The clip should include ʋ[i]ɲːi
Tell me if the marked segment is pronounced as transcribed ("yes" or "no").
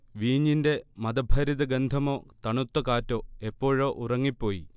no